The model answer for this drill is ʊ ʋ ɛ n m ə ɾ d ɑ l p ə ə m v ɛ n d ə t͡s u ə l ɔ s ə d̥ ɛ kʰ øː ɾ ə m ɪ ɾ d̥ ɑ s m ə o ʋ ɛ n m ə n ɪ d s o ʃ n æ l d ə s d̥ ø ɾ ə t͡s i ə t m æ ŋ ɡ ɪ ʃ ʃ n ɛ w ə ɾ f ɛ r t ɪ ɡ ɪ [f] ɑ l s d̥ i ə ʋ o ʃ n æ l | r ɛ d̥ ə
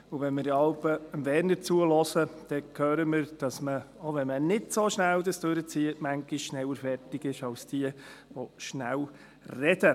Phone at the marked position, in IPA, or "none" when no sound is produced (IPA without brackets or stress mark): ʃ